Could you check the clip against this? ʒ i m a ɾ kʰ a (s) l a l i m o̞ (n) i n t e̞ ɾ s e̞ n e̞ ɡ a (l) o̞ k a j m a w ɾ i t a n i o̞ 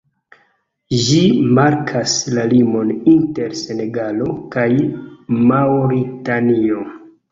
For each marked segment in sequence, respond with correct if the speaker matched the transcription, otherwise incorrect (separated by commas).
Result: correct, correct, correct